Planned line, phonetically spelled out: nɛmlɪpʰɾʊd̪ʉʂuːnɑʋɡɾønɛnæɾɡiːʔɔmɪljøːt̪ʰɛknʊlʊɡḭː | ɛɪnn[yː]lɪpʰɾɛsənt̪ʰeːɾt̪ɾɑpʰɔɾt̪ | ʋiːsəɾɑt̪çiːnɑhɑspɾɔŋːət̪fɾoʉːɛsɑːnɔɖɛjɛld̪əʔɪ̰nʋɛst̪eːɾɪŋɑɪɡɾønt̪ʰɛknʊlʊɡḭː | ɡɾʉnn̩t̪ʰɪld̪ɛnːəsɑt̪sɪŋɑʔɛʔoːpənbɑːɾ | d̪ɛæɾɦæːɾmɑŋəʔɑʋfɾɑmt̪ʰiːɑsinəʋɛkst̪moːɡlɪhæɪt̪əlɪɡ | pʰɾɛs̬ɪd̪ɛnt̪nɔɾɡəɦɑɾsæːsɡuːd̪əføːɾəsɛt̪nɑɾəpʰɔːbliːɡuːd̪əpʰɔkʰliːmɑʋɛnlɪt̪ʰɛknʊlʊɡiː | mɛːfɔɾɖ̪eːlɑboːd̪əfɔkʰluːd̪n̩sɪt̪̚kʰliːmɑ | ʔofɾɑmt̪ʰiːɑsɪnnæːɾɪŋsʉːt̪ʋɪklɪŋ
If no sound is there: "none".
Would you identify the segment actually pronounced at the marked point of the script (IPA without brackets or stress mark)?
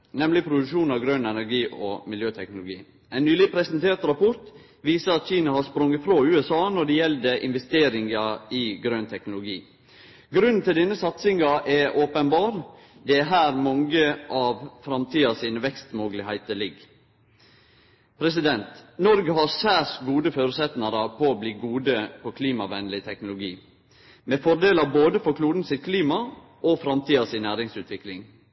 yː